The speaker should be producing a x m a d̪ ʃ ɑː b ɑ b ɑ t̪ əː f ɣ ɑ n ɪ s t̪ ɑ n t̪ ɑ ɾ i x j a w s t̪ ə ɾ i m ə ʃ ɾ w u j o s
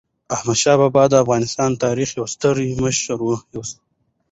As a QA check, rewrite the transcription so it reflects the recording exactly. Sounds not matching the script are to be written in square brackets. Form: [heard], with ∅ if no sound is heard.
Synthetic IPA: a [h] m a d̪ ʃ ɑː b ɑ b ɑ [d̪] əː f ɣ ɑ n ɪ s t̪ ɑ n t̪ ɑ ɾ i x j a w s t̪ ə ɾ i m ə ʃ ɾ w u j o s